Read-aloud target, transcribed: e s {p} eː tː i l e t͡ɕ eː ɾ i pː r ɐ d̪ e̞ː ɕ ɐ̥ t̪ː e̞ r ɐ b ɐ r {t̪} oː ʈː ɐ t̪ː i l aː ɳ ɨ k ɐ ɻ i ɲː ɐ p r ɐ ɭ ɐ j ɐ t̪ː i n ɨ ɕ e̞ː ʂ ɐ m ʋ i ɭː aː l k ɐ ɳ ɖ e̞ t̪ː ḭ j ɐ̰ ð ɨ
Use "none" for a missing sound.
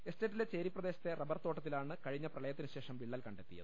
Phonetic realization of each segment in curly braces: t, t̪

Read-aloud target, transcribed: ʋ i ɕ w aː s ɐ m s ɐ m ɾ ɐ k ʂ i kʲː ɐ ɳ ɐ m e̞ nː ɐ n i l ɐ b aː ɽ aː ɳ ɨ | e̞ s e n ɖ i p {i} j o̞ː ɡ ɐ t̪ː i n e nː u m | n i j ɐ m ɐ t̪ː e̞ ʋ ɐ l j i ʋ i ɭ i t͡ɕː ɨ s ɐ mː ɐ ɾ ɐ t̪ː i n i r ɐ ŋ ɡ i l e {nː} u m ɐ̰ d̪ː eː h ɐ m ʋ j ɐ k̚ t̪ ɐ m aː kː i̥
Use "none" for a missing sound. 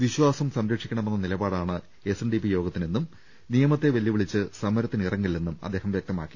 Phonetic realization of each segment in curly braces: i, nː

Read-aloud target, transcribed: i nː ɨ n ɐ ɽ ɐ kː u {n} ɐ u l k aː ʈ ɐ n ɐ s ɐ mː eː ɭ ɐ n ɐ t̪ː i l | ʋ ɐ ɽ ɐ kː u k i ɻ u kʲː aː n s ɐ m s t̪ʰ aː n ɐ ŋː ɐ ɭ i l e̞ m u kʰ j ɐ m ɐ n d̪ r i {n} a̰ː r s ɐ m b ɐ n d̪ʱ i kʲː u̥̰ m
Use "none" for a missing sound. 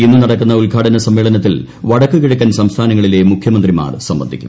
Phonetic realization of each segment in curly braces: nː, m

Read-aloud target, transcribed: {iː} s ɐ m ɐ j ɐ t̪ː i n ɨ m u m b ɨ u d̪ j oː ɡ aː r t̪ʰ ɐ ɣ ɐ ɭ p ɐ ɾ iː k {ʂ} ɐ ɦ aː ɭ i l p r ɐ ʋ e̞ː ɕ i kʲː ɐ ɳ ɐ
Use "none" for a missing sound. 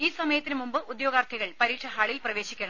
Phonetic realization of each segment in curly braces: iː, ʂ

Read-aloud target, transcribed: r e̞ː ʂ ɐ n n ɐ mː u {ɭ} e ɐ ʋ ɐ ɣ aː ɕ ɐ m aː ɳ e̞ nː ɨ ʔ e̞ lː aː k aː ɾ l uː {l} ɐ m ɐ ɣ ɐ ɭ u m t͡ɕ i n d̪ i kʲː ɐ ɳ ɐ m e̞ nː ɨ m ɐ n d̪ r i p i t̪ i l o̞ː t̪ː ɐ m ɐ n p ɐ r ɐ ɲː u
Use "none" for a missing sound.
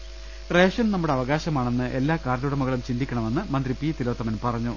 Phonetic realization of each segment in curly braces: ɽ, ɽ

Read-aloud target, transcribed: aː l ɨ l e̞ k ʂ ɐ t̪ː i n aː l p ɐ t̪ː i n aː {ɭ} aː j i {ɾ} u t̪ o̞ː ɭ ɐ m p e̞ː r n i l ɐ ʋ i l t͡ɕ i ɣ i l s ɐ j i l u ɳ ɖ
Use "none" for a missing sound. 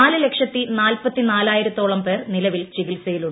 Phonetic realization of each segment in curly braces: l, ɾ

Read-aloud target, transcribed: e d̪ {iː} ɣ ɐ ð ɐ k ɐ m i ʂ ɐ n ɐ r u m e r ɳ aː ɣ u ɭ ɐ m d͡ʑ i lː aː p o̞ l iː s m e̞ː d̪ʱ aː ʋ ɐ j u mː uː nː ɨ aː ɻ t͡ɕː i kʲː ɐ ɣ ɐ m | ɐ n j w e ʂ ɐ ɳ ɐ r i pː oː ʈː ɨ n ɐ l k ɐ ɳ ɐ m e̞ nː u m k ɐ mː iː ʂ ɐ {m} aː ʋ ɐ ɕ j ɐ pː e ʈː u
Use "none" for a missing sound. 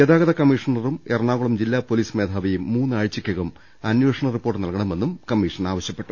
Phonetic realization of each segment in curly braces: aː, n

